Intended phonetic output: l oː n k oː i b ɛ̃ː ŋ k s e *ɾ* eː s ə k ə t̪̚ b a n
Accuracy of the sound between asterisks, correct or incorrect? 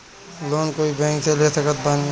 incorrect